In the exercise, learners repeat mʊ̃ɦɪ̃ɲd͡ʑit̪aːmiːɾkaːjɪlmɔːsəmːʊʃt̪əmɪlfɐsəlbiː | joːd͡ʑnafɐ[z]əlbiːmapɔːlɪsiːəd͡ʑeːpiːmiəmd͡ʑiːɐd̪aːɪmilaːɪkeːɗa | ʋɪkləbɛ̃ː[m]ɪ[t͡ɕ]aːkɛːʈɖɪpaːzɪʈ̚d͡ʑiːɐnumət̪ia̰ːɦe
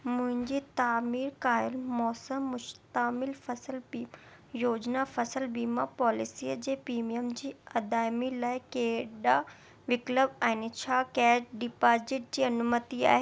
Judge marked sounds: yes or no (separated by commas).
no, no, no